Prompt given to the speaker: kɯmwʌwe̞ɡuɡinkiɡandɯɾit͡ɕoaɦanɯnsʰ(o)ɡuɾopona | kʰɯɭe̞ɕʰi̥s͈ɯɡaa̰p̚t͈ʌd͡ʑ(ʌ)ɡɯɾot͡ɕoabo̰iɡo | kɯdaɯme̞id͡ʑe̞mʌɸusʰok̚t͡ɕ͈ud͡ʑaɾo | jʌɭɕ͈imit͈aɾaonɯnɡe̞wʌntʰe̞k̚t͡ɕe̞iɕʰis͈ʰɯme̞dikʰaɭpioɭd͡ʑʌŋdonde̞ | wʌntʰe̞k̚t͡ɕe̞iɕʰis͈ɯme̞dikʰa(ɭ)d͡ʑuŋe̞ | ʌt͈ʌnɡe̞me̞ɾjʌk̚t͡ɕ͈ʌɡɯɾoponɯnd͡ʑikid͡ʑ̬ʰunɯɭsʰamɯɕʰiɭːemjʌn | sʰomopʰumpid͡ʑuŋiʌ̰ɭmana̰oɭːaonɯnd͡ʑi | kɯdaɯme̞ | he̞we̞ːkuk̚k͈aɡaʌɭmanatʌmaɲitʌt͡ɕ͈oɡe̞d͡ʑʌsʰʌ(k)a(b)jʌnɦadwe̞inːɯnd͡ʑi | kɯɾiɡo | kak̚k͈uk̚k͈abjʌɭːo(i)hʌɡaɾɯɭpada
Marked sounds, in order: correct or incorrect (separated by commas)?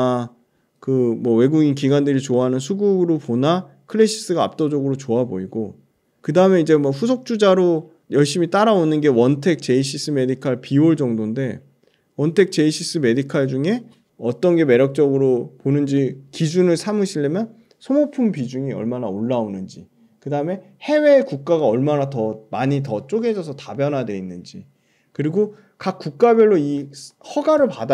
incorrect, correct, correct, incorrect, correct, correct